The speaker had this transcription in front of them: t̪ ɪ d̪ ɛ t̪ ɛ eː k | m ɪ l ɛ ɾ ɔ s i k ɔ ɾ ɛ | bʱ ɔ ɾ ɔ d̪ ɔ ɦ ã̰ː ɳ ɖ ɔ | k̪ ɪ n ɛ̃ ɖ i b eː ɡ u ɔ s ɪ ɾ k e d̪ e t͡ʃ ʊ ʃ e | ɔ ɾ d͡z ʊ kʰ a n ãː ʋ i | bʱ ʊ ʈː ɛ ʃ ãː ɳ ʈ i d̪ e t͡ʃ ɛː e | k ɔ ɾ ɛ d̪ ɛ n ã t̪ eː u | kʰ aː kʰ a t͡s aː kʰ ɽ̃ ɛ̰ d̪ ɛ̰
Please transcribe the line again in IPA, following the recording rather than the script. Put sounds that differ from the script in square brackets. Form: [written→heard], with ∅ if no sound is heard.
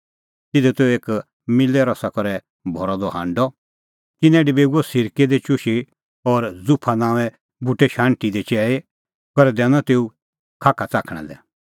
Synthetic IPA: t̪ ɪ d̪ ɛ t̪ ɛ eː k | m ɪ l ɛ ɾ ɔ s [i→a] k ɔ ɾ ɛ | bʱ ɔ ɾ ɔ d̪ ɔ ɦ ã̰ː ɳ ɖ ɔ | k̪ ɪ n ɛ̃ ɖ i b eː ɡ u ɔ s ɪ ɾ k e d̪ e t͡ʃ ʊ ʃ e | ɔ ɾ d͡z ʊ [kʰ→pʰ] a n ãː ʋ [i→ɛ] | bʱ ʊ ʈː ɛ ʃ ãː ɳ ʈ i d̪ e t͡ʃ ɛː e | k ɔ ɾ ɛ d̪ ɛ n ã t̪ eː u | kʰ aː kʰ a t͡s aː kʰ ɽ̃ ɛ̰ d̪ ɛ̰